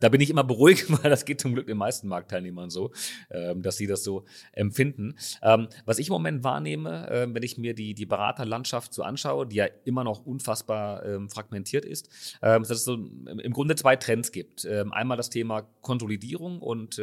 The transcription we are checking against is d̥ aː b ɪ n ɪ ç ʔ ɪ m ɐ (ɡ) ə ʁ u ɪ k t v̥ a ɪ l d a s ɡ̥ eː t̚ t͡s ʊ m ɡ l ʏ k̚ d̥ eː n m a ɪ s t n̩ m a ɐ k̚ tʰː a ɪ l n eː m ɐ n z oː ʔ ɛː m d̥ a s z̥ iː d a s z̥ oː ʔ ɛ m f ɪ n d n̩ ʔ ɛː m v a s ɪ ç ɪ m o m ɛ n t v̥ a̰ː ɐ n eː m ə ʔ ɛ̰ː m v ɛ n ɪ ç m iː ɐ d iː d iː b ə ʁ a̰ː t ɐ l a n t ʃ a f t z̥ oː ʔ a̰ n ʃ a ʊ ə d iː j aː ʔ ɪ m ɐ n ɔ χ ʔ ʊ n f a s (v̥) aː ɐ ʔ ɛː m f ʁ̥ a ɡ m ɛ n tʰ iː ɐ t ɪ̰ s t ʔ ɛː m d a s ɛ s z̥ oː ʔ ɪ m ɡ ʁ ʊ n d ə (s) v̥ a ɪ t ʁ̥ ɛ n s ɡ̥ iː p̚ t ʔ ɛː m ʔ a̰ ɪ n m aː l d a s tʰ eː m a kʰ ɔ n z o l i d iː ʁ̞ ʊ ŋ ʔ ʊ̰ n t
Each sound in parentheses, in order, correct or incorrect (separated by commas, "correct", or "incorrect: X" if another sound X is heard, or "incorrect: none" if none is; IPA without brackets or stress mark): incorrect: b, incorrect: b̥, incorrect: t͡s